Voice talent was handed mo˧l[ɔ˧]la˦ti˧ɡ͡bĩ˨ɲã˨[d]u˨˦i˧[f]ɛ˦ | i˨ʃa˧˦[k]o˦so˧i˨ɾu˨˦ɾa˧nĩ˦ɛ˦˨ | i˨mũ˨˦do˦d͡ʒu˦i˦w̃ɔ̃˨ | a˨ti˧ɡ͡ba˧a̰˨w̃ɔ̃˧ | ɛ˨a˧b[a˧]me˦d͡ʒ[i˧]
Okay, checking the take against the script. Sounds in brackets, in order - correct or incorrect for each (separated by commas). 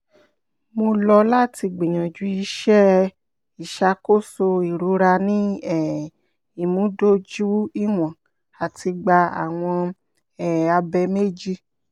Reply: correct, incorrect, incorrect, correct, incorrect, correct